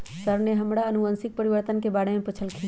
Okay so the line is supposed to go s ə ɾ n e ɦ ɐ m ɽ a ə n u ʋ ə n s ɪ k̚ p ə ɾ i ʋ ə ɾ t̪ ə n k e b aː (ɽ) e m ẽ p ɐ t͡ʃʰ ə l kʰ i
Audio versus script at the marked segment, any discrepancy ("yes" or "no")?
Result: no